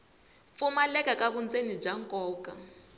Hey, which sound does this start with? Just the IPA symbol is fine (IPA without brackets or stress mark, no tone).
f